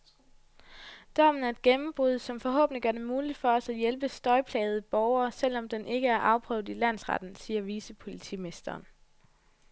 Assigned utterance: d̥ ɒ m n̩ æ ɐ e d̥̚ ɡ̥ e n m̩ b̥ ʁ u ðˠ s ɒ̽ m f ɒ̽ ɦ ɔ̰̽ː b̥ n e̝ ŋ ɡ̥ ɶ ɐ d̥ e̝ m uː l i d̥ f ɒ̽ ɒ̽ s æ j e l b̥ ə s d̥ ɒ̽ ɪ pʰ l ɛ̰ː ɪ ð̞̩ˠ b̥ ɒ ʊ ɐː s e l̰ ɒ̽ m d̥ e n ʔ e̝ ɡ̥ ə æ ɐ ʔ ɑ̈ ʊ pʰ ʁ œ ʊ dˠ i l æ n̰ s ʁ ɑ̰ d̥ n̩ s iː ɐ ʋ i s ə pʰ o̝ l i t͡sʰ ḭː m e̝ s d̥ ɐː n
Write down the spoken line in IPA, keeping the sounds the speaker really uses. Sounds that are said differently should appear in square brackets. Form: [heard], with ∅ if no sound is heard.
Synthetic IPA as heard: d̥ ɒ m n̩ æ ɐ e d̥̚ ɡ̥ e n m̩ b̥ ʁ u ðˠ s ɒ̽ m f ɒ̽ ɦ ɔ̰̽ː b̥ n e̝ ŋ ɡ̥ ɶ ɐ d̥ e̝ m uː l i d̥ f ɒ̽ ɒ̽ s æ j e l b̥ ə s d̥ ɒ̽ ɪ pʰ l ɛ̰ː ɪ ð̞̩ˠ b̥ ɒ ʊ ɐː s e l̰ ɒ̽ m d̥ e n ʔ e̝ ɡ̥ ə æ ɐ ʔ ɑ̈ ʊ pʰ ʁ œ ʊ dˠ i l æ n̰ s ʁ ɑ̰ d̥ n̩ s iː ɐ ʋ i s ə pʰ o̝ l i t͡sʰ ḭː m e̝ s d̥ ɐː n